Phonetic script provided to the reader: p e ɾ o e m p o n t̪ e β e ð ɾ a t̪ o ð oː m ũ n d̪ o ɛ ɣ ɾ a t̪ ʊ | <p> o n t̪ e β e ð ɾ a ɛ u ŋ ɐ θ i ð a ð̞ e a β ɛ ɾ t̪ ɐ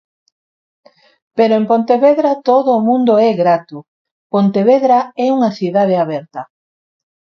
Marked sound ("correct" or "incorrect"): correct